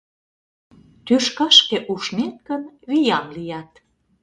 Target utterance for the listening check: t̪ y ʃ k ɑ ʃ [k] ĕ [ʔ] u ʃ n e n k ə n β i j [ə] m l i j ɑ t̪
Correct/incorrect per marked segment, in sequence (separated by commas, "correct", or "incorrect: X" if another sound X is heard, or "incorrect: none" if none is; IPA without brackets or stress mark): correct, correct, incorrect: ɑ